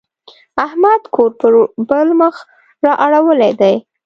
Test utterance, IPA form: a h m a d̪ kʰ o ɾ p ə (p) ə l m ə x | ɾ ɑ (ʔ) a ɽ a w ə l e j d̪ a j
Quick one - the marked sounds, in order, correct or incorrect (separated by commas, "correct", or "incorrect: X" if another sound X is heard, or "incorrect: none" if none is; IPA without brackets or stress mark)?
incorrect: b, correct